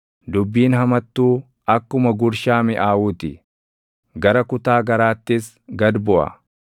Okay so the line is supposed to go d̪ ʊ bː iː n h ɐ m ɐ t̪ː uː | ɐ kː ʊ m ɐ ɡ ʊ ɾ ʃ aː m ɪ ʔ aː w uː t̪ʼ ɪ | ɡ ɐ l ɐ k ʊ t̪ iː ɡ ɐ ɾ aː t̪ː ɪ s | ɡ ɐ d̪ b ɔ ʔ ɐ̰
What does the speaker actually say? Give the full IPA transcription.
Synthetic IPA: d̪ ʊ bː iː n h ɐ m ɐ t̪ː uː | ɐ kː ʊ m ɐ ɡ ʊ ɾ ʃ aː m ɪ ʔ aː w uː t̪ ɪ | ɡ ɐ ɾ ɐ k ʊ t̪ aː ɡ ɐ ɾ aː t̪ː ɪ s | ɡ ɐ d̪ b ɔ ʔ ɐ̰

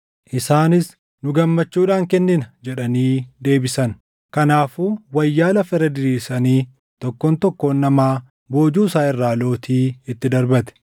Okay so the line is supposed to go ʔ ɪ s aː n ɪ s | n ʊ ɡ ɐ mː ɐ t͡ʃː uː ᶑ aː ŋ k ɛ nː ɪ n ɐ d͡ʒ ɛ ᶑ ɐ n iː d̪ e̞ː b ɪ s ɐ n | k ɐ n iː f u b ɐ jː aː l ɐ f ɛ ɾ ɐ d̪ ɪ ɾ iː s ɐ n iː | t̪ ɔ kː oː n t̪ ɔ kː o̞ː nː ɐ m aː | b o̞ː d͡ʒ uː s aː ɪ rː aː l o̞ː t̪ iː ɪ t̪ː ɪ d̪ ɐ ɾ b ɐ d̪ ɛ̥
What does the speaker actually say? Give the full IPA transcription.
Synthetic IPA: ʔ ɪ s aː n ɪ s | n ʊ ɡ ɐ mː ɐ t͡ʃː uː ᶑ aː ŋ k ɛ nː ɪ n ɐ d͡ʒ ɛ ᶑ ɐ n iː d̪ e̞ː b ɪ s ɐ n | k ɐ n aː f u w ɐ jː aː l ɐ f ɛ ɾ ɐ d̪ ɪ ɾ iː s ɐ n iː | t̪ ɔ kː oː n t̪ ɔ kː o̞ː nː ɐ m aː | b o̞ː d͡ʒ uː s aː ɪ rː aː l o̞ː t̪ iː ɪ t̪ː ɪ d̪ ɐ ɾ b ɐ t̪ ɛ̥

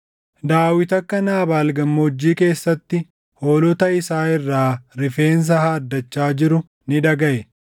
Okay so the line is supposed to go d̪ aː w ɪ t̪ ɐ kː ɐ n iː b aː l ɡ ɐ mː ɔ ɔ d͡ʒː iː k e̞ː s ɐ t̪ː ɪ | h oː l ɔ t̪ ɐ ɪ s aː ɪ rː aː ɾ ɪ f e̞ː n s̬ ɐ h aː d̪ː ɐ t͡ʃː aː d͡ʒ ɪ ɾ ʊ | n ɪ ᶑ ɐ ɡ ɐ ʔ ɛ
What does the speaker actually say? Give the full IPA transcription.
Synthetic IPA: d̪ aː w ɪ t̪ ɐ kː ɐ n aː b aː l ɡ ɐ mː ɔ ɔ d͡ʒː iː k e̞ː sː ɐ t̪ː ɪ | h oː l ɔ t̪ ɐ ɪ s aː ɪ rː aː ɾ ɪ f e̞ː n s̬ ɐ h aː d̪ː ɐ t͡ʃː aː d͡ʒ ɪ ɾ ʊ | n ɪ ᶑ ɐ ɡ ɐ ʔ ɛ

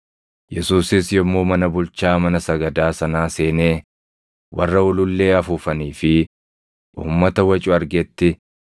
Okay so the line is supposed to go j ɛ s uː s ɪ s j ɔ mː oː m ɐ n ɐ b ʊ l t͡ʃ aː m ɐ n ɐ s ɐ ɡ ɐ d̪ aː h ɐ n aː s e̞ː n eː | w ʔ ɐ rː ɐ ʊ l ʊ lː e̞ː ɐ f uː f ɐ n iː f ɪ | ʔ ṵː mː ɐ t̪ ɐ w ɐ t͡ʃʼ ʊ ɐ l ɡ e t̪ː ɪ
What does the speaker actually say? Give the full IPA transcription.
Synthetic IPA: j ɛ s uː s ɪ s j ɔ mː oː m ɐ n ɐ b ʊ l t͡ʃ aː m ɐ n ɐ s ɐ ɡ ɐ d̪ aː s ɐ n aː s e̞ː n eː | w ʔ ɐ rː ɐ ʊ l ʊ lː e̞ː ɐ f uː f ɐ n iː f ɪ | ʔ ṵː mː ɐ t̪ ɐ w ɐ t͡ʃʼ ʊ ɐ ɾ ɡ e t̪ː ɪ

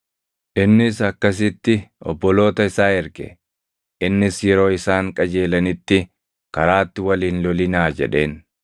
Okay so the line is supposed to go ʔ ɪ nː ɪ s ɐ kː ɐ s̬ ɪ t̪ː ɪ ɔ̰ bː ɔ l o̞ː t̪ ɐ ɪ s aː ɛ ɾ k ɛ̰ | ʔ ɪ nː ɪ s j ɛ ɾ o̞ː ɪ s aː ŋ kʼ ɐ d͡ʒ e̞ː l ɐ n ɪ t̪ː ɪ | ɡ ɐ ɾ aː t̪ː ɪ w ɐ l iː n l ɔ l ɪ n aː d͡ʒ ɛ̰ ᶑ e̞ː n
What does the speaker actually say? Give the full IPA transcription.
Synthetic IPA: ʔ ɪ nː ɪ s ɐ kː ɐ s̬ ɪ t̪ː ɪ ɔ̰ bː ɔ l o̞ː t̪ ɐ ɪ s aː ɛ ɾ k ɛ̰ | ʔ ɪ nː ɪ s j ɛ ɾ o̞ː ɪ s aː ŋ kʼ ɐ d͡ʒ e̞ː l ɐ n ɪ t̪ː ɪ | k ɐ ɾ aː t̪ː ɪ w ɐ l iː n l ɔ l ɪ n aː d͡ʒ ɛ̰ ᶑ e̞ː n

